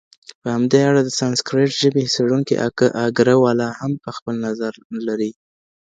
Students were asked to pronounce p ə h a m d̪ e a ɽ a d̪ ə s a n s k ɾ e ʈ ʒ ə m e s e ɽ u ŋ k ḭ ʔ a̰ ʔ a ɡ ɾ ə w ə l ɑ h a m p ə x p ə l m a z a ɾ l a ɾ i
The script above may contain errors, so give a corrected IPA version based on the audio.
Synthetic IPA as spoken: p ə h a m d̪ e a ɽ a d̪ ə s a n s k ɾ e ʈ ʒ ə b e s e ɽ u ŋ k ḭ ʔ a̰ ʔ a ɡ ɾ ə w ɑ l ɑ h a m p ə x p ə l n a z a ɾ l a ɾ i